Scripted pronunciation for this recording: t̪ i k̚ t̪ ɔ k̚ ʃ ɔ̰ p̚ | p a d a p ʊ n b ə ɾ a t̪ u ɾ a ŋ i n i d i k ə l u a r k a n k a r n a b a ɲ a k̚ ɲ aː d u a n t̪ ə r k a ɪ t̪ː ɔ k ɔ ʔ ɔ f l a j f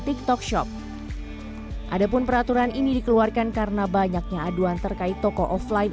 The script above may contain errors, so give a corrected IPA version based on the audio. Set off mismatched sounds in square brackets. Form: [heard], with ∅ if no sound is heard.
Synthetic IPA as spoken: t̪ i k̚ t̪ ɔ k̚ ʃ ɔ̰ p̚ | [ʔ] a d a p ʊ n [p] ə ɾ a t̪ u ɾ a [n] i n i d i k ə l u a r k a n k a r n a b a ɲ a k̚ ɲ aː d u a n t̪ ə r k a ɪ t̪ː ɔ k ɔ ʔ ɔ f l a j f